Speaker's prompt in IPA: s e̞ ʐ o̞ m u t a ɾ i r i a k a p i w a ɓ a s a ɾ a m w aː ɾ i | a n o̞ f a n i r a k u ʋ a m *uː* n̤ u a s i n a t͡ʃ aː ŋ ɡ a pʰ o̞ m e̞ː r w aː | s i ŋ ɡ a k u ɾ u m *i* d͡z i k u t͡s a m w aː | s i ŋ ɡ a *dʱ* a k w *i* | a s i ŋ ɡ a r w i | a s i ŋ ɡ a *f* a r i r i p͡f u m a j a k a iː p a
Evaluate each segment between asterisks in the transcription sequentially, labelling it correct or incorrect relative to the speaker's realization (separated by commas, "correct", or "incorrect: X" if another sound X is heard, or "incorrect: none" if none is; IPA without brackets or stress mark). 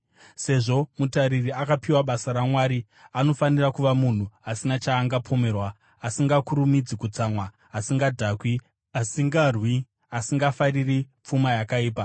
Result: incorrect: u, correct, correct, correct, correct